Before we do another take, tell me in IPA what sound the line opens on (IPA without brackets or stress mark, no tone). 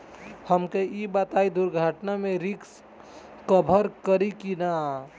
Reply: h